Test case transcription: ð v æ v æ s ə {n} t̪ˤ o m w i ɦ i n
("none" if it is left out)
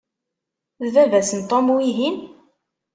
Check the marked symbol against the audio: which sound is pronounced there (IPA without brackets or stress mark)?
n